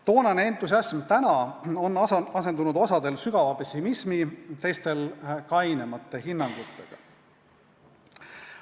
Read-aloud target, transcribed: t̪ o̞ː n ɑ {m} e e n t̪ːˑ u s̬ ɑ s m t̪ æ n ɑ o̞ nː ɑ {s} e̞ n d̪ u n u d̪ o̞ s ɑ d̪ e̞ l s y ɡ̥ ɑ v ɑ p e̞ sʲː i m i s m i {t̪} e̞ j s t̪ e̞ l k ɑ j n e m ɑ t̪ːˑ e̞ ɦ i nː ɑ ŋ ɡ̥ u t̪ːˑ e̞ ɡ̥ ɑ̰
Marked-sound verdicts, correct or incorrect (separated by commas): incorrect, correct, correct